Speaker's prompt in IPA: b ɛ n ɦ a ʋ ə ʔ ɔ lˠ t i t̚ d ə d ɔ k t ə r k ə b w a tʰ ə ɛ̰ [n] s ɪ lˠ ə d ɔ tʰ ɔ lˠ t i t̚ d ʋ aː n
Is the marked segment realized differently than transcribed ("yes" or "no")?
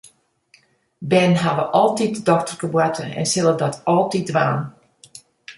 no